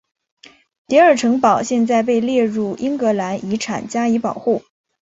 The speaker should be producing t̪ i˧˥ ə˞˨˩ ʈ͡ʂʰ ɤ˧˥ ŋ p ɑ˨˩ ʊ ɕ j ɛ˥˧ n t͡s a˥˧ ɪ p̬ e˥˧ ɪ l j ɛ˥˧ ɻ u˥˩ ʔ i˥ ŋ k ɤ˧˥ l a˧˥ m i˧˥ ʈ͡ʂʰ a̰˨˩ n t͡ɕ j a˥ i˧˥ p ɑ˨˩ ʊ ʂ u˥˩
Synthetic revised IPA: t̪ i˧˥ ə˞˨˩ ʈ͡ʂʰ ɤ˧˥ ŋ p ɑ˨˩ ʊ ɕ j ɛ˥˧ n t͡s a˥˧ ɪ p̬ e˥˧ ɪ l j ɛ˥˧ ɻ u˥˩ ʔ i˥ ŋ k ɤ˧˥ l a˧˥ n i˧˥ ʈ͡ʂʰ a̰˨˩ n t͡ɕ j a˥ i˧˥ p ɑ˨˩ ʊ x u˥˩